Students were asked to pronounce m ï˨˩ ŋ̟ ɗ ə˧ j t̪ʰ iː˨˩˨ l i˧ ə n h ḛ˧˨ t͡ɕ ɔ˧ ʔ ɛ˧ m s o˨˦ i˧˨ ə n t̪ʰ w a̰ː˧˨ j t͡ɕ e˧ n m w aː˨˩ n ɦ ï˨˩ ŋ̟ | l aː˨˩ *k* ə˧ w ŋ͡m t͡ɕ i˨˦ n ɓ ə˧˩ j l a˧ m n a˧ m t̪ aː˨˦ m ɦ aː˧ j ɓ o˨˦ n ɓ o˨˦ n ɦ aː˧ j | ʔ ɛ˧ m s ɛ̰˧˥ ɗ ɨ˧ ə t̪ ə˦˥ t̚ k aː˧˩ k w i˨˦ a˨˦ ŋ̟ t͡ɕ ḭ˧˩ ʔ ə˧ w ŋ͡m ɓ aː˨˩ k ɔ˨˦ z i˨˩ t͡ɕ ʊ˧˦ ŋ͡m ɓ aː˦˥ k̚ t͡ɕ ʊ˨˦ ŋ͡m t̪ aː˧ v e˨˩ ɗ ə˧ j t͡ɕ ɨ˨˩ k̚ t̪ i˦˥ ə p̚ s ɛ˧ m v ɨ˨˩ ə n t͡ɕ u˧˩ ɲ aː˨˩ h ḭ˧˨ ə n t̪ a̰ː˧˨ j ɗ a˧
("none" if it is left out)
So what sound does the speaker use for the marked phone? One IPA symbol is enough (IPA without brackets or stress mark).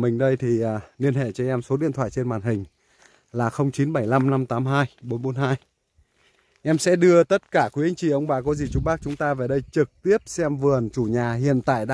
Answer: x